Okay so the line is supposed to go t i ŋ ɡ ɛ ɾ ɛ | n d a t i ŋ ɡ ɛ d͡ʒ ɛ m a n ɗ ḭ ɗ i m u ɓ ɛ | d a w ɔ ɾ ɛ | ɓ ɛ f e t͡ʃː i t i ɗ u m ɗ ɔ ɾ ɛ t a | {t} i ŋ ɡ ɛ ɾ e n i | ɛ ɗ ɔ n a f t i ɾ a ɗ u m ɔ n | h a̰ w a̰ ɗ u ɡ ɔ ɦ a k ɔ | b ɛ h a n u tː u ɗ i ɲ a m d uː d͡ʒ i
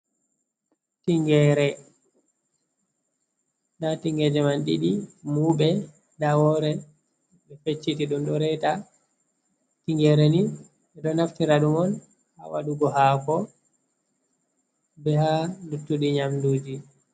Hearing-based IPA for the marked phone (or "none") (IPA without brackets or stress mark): t